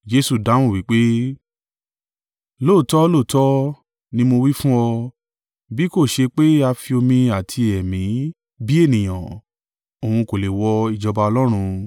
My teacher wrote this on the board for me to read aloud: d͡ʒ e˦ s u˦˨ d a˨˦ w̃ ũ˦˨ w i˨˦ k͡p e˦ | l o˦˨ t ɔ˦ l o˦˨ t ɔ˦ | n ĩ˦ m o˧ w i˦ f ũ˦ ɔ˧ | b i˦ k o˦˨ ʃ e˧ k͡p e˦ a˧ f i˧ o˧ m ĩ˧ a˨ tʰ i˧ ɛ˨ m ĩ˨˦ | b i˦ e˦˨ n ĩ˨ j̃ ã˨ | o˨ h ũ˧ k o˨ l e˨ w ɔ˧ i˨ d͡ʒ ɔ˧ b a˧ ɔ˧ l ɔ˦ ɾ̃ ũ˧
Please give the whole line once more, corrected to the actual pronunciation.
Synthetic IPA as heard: d͡ʒ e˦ s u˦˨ d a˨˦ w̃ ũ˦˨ w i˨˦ k͡p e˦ | l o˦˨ t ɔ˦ l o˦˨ t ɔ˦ | n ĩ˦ m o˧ w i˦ f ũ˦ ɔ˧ | b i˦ k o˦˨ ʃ e˧ k͡p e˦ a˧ f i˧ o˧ m ĩ˧ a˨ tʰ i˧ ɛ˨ m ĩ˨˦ | b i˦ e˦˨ n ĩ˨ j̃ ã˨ | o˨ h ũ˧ k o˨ l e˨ w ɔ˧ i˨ d͡ʒ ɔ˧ b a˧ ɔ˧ l ɔ˦ ɾ̃ ũ˧